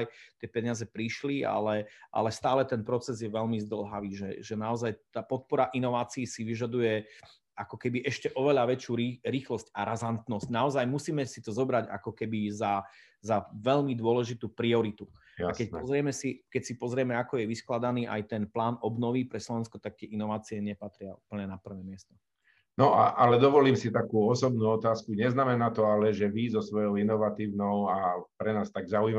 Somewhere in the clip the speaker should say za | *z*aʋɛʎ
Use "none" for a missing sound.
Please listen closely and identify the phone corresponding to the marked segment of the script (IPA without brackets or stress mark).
z